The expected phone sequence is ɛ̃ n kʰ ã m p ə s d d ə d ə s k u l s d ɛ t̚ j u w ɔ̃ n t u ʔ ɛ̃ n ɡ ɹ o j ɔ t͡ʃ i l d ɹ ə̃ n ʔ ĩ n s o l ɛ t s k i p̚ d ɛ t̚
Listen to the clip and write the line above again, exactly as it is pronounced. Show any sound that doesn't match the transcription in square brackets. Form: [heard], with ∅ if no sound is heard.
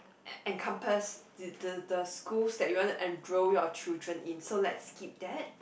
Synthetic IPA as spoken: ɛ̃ n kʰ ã m p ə s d d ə d ə s k u l s d ɛ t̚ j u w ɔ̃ n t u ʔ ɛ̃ n [d] ɹ o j ɔ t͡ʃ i l d ɹ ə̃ n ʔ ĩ n s o l ɛ t s k i p̚ d ɛ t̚

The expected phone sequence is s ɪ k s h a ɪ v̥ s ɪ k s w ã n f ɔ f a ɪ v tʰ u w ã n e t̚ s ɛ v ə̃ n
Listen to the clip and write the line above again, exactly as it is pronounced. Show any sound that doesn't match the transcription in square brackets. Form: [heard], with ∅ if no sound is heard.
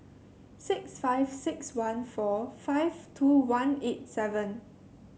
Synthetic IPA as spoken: s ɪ k s [f] a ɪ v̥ s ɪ k s w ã n f ɔ f a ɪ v tʰ u w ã n e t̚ s ɛ v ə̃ n

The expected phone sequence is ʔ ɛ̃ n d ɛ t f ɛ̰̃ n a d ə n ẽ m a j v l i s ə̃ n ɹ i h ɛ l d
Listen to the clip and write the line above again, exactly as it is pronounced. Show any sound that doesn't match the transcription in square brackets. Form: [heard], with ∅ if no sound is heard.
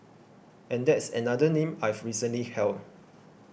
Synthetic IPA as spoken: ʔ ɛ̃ n d ɛ t [s] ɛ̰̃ n a d ə n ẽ m a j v [ɹ] i s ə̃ n [l] i h ɛ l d

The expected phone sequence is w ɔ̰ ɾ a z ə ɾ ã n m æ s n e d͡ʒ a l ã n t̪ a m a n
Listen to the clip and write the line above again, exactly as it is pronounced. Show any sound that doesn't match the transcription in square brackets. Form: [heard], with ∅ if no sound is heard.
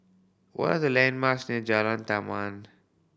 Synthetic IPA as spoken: w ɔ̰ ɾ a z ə [l] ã n m [a] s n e d͡ʒ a l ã n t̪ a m a n

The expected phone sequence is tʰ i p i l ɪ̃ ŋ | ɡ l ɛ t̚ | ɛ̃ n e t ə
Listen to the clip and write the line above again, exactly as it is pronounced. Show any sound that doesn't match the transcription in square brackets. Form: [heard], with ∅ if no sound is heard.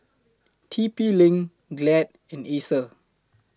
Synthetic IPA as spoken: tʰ i p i l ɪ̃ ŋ | ɡ l ɛ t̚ | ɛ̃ n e [s] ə

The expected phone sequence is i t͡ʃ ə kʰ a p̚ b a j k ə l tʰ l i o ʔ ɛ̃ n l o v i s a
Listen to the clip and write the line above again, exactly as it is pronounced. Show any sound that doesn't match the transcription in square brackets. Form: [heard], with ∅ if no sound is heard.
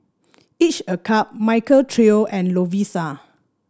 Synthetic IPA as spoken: i t͡ʃ ə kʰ a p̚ [m] a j k ə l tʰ [ɹ] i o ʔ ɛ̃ n l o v i s a

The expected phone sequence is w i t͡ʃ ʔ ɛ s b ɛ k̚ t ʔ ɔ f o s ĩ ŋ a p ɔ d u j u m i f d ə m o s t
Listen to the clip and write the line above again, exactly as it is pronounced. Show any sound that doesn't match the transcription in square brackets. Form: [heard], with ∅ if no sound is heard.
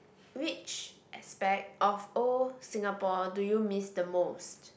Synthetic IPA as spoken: w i t͡ʃ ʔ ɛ s [p] ɛ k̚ t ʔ ɔ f o s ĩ ŋ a p ɔ d u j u m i [s] d ə m o s t

